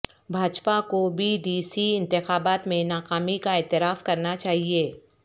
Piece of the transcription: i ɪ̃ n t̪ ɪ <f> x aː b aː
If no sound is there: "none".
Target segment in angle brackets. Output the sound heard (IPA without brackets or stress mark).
none